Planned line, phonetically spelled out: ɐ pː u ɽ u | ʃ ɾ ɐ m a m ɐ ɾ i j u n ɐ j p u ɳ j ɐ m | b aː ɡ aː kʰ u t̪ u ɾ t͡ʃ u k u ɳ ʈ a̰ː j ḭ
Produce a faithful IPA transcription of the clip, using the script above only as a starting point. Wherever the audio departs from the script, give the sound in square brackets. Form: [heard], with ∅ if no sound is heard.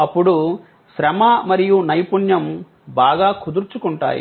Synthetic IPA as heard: ɐ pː u ɽ u | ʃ ɾ ɐ m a m ɐ ɾ i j u n ɐ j p u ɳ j ɐ m | b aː ɡ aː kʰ u [d̪] u ɾ t͡ʃ u k u ɳ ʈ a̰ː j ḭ